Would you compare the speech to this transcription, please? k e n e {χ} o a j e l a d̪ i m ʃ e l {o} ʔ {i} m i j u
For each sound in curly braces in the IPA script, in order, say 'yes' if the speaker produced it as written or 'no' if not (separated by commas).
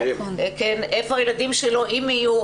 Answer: no, yes, yes